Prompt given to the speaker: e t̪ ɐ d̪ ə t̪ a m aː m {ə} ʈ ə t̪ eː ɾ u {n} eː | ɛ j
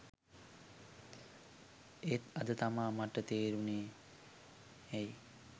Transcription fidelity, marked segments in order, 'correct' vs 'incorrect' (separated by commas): incorrect, correct